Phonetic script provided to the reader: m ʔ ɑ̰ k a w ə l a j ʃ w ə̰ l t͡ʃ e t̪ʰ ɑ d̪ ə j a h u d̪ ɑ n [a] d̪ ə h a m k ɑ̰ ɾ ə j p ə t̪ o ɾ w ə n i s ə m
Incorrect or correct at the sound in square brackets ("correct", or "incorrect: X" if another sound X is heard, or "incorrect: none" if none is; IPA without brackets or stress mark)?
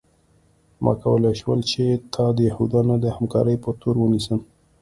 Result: correct